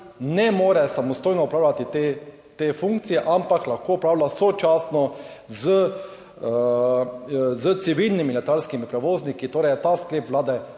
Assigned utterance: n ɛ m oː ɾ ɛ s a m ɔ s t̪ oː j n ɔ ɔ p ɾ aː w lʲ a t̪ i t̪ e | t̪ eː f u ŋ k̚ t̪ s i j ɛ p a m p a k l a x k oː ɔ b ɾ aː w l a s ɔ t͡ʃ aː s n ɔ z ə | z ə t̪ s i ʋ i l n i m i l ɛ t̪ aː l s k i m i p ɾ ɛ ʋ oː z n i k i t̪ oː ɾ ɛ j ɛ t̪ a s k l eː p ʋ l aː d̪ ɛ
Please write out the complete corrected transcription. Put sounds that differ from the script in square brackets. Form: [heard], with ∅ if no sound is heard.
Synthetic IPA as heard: n ɛ m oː ɾ ɛ s a m ɔ s t̪ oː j n ɔ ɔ p ɾ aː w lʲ a t̪ i t̪ e | t̪ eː f u ŋ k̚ t̪ s i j ɛ [ʔ] a m p a k l a x k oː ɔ [p] ɾ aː w l a s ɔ t͡ʃ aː s n ɔ z ə | z ə t̪ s i ʋ i l n i m i l ɛ t̪ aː l s k i m i p ɾ ɛ ʋ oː z n i k i t̪ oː ɾ ɛ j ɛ t̪ a s k l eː p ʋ l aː d̪ ɛ